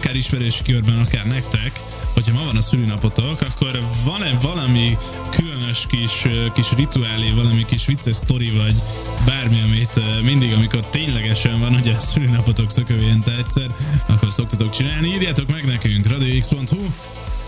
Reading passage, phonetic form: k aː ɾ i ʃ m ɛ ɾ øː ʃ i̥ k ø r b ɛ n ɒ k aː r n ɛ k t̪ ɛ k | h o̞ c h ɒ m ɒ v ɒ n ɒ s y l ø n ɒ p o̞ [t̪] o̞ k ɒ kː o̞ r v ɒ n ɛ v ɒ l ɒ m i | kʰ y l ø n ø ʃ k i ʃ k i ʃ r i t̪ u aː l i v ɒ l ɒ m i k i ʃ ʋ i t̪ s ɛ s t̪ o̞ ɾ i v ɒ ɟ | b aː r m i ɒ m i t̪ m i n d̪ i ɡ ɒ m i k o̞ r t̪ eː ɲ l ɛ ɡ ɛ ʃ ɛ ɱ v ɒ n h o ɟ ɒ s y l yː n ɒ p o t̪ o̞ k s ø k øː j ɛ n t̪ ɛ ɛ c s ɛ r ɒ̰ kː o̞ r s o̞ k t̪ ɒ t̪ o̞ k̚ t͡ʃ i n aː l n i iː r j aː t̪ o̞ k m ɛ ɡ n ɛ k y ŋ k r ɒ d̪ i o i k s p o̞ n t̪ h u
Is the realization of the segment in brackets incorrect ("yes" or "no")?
no